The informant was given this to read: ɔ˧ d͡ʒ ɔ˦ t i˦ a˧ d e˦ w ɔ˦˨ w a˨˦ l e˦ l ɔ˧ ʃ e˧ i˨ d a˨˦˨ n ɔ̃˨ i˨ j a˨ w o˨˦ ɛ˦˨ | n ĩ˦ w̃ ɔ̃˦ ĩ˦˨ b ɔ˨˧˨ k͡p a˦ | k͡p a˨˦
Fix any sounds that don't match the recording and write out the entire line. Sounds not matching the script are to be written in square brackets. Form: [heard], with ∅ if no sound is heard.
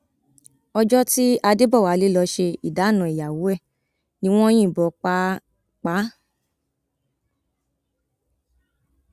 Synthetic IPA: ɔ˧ d͡ʒ ɔ˦ t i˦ a˧ d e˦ [b] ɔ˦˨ w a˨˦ l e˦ l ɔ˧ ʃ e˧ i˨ d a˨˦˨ n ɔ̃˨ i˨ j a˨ w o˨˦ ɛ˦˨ | n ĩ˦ w̃ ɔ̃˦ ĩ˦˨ b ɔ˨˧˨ k͡p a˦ | k͡p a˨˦